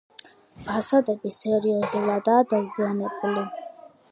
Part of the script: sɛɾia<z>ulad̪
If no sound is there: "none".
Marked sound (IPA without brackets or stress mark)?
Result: z